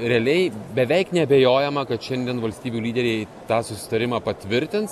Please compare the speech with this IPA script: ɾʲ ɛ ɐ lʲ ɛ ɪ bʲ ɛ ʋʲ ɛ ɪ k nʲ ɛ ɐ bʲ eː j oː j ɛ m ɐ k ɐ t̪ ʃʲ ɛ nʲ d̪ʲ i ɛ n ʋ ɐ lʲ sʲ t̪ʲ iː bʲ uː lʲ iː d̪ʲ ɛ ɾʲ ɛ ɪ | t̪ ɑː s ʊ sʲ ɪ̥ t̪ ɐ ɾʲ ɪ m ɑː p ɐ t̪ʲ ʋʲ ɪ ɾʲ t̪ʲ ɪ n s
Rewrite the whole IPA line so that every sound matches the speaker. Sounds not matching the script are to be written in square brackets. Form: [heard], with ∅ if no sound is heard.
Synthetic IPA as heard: ɾʲ ɛ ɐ lʲ ɛ ɪ bʲ ɛ ʋʲ ɛ ɪ k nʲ ɛ ɐ bʲ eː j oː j ɛ m ɐ k ɐ t̪ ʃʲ ɛ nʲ d̪ʲ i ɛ n ʋ ɐ lʲ sʲ t̪ʲ iː bʲ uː lʲ iː d̪ʲ ɛ ɾʲ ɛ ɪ | t̪ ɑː s ʊ sʲ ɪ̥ t̪ ɐ ɾʲ ɪ m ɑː p ɐ t̪ʲ ʋʲ ɪ ɾʲ t̪ʲ ɪ n s